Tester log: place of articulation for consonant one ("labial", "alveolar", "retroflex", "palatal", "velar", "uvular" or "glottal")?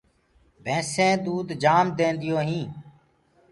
labial